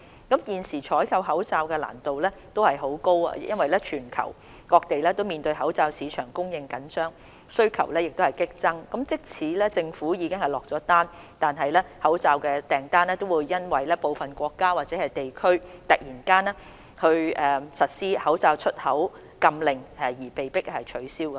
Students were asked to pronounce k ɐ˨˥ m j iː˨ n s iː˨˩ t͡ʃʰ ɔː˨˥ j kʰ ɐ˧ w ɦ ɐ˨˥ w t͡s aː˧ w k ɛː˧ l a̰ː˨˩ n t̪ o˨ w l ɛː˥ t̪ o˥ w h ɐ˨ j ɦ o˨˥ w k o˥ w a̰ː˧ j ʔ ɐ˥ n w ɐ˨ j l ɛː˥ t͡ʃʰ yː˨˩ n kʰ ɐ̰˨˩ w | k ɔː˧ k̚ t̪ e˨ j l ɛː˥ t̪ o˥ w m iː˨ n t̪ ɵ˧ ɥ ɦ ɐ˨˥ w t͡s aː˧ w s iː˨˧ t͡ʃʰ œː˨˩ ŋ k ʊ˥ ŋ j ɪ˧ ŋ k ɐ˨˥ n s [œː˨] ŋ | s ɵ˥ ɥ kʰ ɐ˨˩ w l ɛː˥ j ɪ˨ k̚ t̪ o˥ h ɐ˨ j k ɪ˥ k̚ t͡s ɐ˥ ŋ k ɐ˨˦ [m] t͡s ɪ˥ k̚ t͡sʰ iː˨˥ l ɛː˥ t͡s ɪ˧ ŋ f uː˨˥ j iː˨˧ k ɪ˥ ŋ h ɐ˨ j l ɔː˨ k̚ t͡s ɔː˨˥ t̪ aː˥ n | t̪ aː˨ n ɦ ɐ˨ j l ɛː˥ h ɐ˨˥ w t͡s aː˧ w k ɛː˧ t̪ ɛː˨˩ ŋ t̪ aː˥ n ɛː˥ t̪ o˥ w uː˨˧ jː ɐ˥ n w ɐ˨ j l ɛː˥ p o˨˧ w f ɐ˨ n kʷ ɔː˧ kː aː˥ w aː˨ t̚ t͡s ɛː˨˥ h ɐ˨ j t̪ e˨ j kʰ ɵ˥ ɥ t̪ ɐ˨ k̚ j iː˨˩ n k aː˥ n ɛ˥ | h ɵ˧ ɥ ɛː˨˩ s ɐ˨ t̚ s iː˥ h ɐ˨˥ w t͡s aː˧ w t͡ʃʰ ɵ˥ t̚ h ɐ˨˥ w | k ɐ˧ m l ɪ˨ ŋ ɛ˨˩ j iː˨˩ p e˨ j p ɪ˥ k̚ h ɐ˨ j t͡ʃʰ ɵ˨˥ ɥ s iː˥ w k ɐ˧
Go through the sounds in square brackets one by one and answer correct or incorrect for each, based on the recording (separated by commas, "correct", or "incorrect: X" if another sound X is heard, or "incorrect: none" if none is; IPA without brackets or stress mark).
incorrect: œː˥, correct